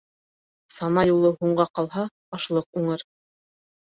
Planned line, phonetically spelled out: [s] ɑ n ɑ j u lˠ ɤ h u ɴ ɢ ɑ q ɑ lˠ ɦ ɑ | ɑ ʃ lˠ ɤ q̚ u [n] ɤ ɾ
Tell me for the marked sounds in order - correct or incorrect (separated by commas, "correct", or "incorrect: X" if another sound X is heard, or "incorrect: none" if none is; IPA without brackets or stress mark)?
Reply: correct, incorrect: ɴ